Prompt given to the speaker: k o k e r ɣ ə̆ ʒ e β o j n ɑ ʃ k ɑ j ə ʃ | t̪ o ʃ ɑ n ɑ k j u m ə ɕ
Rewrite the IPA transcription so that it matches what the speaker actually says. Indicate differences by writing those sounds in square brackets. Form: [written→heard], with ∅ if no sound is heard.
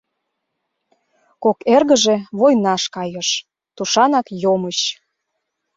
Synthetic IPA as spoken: k o k e r ɣ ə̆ ʒ e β o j n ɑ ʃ k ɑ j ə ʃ | t̪ [o→u] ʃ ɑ n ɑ k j [u→o] m ə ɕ